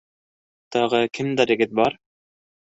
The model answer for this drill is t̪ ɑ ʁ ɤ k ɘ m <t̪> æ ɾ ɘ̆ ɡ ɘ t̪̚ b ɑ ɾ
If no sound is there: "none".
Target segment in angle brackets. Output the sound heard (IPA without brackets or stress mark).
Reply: d̪